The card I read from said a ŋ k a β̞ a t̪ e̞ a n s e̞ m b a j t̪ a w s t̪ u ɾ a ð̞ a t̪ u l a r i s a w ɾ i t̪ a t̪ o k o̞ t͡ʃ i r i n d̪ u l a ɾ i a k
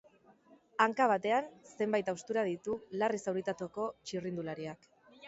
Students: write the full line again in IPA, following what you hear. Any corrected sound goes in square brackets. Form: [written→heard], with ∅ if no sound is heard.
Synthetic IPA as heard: a ŋ k a β̞ a t̪ e̞ a n s e̞ m b a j t̪ a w s t̪ u ɾ a ð̞ [a→i] t̪ u l a r i s a w ɾ i t̪ a t̪ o k o̞ t͡ʃ i r i n d̪ u l a ɾ i a k